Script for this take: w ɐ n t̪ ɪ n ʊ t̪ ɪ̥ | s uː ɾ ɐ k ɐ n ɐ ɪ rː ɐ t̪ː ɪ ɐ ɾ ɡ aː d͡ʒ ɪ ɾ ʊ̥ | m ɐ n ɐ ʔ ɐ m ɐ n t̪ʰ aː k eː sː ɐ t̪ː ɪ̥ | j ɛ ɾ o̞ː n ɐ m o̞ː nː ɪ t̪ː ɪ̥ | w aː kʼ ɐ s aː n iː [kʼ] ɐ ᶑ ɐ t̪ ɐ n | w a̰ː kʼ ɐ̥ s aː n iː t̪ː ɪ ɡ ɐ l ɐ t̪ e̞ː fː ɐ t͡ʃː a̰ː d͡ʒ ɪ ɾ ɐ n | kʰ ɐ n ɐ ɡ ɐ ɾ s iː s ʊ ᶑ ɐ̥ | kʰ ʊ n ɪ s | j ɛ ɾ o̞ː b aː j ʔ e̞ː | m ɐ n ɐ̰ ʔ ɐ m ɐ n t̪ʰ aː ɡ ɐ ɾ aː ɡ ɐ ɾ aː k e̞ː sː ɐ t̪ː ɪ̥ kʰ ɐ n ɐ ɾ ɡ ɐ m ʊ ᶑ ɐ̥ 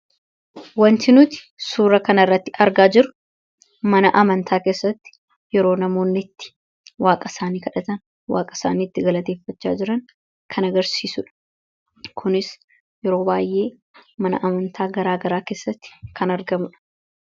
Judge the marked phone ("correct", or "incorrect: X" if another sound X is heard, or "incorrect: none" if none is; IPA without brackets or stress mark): incorrect: k